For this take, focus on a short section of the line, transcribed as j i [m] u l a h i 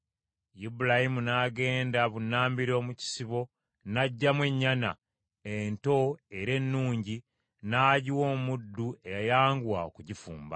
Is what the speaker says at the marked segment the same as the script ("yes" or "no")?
no